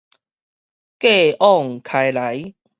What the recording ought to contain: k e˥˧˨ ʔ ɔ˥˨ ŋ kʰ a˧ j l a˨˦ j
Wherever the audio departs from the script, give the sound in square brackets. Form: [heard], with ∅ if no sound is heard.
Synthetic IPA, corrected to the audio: k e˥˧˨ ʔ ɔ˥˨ ŋ kʰ a˧ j l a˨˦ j